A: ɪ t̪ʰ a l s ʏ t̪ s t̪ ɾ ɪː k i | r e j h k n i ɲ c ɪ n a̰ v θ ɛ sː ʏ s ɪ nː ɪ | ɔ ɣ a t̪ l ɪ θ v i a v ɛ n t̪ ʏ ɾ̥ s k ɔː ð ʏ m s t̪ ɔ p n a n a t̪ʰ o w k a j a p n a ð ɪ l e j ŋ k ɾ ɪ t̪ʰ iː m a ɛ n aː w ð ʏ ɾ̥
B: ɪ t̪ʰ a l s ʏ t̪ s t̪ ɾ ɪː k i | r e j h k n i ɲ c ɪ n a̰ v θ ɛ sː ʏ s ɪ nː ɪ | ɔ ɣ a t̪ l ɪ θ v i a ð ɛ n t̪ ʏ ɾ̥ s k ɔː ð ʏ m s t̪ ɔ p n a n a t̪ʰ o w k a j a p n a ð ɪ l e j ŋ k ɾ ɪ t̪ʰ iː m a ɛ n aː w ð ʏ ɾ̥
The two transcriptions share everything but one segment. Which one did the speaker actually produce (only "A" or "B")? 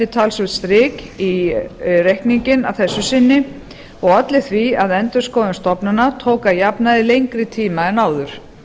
B